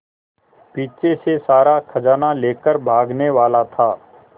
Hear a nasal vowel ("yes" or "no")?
no